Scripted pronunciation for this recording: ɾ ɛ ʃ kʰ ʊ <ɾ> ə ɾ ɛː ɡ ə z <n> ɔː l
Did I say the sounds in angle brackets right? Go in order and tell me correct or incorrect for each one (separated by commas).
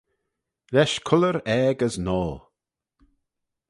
incorrect, correct